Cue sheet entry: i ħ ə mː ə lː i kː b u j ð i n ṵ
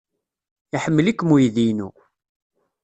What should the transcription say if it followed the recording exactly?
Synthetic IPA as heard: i ħ ə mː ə l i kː m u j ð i n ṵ